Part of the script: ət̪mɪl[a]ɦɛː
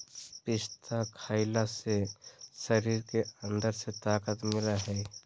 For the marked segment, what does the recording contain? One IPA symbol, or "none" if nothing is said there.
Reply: a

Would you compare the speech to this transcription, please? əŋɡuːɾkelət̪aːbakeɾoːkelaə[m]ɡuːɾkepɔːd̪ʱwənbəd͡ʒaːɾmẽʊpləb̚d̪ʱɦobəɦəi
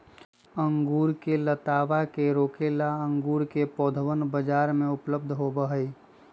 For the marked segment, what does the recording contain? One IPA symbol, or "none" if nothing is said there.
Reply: ŋ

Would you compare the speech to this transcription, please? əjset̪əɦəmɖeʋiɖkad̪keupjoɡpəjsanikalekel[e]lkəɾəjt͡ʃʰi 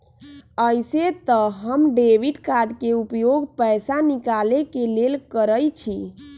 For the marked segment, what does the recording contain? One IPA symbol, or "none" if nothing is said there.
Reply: e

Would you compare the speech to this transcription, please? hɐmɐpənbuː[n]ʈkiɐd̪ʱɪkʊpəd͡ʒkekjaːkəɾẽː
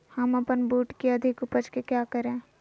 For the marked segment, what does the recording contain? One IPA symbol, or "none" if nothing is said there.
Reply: none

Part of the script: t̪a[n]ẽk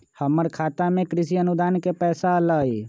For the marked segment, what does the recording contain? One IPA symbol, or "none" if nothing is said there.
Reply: m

